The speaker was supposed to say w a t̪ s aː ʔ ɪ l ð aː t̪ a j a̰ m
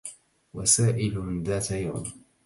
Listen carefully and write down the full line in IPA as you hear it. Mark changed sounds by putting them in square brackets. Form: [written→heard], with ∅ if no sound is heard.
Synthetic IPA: w a [t̪→∅] s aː ʔ ɪ l ð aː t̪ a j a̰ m